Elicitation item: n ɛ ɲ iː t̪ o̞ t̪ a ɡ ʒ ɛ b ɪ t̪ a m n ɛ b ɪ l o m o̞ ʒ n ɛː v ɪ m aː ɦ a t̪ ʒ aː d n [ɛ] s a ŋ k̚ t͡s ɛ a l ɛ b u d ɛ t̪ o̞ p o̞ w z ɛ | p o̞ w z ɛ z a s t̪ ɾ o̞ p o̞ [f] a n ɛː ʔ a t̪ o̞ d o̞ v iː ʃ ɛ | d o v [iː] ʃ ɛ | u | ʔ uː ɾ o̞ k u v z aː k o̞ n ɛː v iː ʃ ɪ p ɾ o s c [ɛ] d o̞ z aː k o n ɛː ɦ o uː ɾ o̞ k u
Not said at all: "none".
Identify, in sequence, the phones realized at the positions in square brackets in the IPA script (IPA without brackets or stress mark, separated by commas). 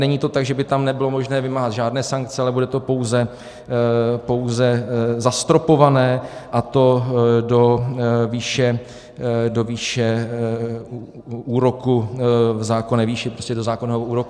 ɛː, v, iː, ɛ